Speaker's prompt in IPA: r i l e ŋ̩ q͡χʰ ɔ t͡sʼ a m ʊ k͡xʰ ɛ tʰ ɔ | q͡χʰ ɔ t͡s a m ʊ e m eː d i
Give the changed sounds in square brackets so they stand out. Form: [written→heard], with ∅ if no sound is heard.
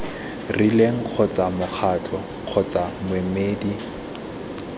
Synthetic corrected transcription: r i l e ŋ̩ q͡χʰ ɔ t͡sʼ a m ʊ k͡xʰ [ɛ→a] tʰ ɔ | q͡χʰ ɔ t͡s a m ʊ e m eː d i